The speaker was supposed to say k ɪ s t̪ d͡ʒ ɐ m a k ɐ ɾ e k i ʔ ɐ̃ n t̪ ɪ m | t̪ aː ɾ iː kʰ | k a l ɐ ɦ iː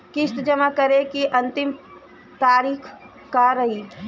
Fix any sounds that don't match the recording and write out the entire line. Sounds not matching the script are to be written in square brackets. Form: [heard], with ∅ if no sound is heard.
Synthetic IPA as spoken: k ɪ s t̪ d͡ʒ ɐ m a k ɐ ɾ e k i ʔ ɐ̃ n t̪ ɪ m | t̪ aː ɾ iː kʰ | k a [ɾ] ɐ ɦ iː